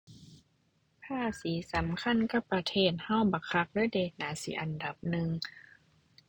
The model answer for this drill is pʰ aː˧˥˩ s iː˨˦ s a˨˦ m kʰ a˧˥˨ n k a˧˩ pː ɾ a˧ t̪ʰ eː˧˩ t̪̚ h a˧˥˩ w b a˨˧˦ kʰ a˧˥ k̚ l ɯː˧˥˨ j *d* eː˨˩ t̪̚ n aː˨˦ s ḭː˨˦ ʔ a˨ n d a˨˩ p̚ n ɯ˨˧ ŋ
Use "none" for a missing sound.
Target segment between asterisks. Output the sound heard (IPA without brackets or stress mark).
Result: d